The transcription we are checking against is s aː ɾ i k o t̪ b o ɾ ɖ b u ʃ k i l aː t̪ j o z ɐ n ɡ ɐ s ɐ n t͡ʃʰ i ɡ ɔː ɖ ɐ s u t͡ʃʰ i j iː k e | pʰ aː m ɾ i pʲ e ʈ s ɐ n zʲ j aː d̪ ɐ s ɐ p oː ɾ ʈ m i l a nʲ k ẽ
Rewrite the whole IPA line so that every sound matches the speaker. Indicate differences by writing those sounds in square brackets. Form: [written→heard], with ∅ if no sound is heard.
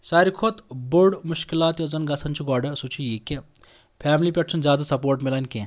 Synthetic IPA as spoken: s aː ɾ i [k→kʰ] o t̪ b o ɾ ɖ [b→m] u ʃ k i l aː t̪ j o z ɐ n ɡ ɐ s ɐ n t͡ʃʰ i ɡ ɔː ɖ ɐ s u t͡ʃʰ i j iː k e | pʰ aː m [ɾ→l] i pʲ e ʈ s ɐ n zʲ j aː d̪ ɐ s ɐ p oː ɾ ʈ m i l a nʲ k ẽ